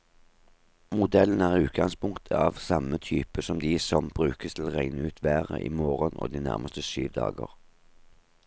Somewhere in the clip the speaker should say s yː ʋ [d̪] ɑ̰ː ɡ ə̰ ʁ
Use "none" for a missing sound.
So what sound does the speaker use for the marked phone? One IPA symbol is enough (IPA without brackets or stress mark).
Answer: d̪